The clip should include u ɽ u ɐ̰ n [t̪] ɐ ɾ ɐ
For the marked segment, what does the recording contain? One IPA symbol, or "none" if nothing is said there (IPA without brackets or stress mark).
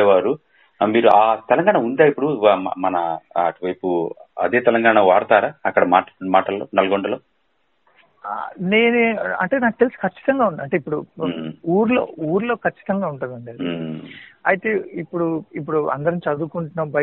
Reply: d̪